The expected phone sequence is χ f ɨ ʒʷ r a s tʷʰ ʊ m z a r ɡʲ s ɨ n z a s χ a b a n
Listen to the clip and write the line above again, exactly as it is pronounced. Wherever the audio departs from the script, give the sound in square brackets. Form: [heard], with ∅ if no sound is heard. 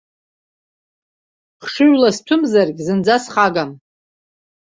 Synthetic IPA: χ [ʂ] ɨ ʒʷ [l] a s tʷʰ ʊ m z a r ɡʲ [z] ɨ n [d͡z] a s χ a [ɡ] a [m]